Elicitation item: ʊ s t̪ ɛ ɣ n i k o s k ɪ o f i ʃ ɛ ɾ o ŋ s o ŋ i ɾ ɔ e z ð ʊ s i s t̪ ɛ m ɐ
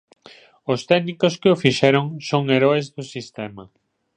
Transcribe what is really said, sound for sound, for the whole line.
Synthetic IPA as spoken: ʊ s t̪ ɛ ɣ n i k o s k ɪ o f i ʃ ɛ ɾ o ŋ s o ŋ e ɾ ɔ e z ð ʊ s i s t̪ ɛ m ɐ